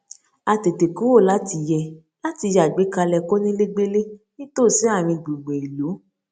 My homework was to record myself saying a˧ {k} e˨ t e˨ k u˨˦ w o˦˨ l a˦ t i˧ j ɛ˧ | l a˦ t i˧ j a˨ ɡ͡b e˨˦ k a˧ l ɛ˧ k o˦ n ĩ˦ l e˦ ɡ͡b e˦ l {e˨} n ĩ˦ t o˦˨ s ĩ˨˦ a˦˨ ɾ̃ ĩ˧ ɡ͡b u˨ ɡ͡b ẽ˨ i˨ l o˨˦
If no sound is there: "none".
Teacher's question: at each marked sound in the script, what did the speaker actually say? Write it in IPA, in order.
t, e˦

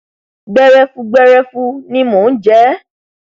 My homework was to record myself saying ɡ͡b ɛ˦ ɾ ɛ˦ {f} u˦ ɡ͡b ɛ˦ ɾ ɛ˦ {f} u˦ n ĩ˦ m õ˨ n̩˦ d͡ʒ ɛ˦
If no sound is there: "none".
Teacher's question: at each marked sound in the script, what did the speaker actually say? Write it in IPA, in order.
f, f

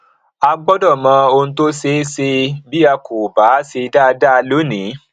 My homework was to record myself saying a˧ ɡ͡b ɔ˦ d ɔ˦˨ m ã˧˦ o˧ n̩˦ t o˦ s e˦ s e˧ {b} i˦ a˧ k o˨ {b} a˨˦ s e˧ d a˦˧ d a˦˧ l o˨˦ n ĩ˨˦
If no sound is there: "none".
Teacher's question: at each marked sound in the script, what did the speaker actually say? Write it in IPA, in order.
b, b

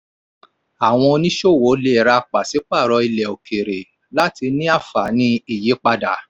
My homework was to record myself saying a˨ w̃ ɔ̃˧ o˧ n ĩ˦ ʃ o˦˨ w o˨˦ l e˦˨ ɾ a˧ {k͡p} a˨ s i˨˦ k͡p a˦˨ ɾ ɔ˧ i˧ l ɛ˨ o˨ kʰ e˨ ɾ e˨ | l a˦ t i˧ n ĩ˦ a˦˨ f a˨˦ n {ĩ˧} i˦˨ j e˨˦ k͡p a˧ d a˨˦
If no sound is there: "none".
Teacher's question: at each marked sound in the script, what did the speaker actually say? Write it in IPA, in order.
k͡p, ĩ˧

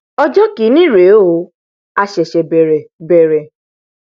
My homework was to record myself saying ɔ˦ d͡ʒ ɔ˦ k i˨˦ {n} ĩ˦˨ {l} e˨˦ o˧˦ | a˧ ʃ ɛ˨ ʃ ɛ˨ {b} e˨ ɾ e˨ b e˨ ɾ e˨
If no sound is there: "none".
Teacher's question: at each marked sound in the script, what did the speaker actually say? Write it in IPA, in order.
n, ɾ, b

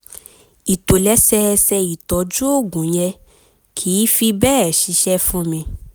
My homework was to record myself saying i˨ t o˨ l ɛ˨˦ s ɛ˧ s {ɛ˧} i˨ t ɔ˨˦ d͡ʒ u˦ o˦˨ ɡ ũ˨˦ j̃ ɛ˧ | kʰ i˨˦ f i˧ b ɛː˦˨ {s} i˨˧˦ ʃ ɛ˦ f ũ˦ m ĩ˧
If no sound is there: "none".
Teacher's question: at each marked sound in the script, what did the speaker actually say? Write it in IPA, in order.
ɛ˧, ʃ

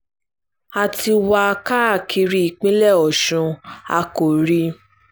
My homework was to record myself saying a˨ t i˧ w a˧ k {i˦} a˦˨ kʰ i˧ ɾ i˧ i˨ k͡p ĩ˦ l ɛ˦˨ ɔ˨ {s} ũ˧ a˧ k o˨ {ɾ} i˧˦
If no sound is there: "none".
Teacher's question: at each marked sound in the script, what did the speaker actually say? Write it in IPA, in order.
a˦, ʃ, ɾ

